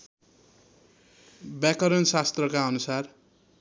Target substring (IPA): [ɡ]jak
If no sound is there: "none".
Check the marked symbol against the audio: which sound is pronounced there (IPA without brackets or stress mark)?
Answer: b